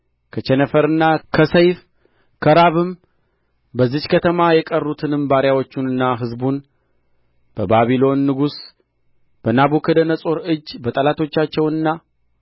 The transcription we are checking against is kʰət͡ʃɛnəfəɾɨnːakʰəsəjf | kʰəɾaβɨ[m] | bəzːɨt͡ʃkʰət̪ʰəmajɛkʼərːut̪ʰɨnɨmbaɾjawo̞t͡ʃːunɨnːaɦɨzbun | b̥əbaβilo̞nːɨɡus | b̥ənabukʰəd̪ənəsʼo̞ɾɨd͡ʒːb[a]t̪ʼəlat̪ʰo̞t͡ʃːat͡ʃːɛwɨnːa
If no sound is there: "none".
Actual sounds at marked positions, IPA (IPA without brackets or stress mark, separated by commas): m, ə